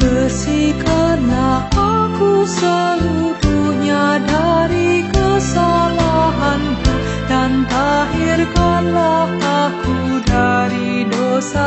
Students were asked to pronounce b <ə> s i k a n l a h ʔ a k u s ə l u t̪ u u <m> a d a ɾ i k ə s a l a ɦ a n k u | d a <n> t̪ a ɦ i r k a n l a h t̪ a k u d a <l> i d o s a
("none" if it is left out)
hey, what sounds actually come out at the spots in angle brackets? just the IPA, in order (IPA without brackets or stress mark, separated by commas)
ə, ɲ, n, ɾ